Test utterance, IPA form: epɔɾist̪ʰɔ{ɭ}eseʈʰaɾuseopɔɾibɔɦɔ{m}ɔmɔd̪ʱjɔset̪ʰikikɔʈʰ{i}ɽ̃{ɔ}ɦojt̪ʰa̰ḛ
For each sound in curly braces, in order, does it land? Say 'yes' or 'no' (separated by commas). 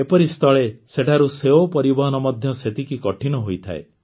yes, no, yes, yes